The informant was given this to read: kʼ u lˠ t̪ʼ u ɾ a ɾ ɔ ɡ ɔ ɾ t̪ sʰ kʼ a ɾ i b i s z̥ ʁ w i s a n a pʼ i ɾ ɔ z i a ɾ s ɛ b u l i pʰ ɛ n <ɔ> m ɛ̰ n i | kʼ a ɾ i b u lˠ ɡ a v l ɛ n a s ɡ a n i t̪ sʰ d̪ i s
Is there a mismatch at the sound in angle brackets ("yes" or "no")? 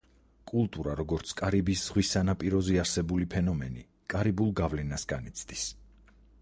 no